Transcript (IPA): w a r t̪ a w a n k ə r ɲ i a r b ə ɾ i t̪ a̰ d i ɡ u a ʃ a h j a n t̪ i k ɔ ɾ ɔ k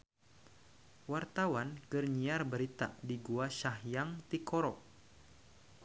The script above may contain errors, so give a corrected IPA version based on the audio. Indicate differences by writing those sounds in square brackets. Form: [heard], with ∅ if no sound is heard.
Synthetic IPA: w a r t̪ a w a n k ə r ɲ i a r b ə ɾ i t̪ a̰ d i ɡ u a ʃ a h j a [ŋ] t̪ i k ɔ ɾ ɔ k